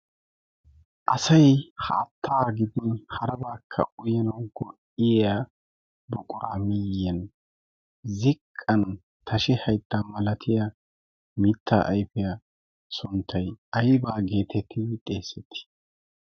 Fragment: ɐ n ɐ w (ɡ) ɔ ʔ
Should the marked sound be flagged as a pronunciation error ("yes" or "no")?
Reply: no